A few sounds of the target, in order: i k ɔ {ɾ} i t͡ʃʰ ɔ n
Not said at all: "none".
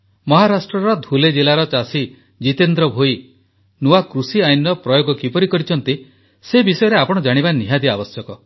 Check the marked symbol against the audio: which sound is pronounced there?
ɾ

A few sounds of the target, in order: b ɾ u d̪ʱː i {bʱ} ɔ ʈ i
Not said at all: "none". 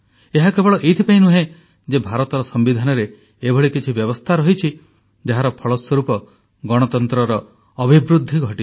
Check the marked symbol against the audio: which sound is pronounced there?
ɡʱ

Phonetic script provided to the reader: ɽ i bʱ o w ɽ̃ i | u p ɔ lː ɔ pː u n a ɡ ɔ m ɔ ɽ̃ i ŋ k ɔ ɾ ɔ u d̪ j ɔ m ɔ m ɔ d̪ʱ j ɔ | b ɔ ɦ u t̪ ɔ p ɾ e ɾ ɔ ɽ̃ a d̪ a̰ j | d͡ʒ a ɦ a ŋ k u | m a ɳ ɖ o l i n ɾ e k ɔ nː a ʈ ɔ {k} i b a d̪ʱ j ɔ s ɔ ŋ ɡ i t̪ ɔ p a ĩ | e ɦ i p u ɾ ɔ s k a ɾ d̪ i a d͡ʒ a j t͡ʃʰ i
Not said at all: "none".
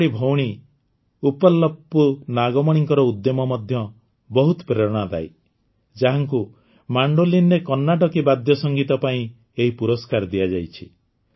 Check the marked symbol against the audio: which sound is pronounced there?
k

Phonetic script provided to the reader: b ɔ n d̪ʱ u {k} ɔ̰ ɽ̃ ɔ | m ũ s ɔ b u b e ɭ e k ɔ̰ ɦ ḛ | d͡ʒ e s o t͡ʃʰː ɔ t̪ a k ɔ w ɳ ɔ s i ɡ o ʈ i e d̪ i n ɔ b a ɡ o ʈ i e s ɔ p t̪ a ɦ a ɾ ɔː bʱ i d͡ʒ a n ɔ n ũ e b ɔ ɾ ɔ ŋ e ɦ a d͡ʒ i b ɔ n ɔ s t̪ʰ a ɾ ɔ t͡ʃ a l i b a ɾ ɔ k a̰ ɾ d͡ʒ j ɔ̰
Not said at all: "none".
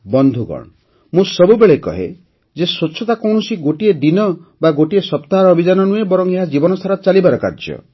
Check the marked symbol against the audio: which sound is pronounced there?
ɡ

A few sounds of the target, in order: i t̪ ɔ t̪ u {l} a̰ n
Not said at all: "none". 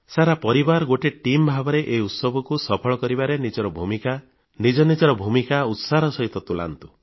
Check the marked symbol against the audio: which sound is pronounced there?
l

